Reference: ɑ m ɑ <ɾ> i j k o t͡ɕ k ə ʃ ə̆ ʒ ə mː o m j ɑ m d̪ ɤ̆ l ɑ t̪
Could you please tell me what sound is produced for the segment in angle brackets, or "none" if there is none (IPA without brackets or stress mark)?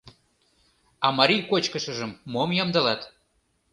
ɾ